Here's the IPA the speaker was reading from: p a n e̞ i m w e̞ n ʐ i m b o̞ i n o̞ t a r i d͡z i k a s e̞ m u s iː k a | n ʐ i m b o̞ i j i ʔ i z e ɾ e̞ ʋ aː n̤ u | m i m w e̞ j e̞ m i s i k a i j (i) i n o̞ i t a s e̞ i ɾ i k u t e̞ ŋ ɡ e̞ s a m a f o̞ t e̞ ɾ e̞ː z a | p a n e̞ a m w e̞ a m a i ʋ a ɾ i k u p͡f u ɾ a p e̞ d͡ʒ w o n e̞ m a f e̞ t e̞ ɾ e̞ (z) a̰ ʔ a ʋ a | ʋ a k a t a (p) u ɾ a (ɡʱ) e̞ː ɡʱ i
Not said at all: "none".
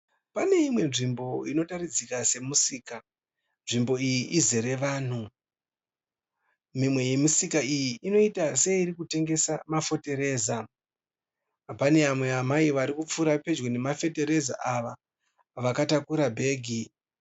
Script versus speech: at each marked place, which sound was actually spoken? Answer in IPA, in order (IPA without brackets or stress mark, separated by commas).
i, z, k, bʱ